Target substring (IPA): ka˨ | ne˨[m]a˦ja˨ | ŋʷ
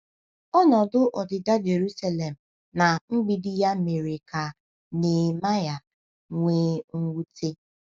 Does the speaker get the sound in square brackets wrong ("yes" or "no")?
no